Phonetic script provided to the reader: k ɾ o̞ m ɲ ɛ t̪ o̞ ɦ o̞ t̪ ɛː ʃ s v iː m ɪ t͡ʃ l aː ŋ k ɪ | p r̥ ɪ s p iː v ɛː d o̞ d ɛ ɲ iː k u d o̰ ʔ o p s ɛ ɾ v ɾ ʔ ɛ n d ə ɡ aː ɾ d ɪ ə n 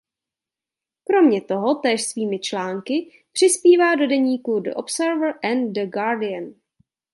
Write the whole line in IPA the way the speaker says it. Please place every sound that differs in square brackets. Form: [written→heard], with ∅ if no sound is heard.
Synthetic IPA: k ɾ o̞ m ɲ ɛ t̪ o̞ ɦ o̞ t̪ ɛː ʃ s v iː m ɪ t͡ʃ l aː ŋ k ɪ | p r̥ ɪ s p iː v [ɛː→aː] d o̞ d ɛ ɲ iː k u d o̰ ʔ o p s ɛ ɾ v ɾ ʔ ɛ n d ə ɡ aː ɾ d ɪ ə n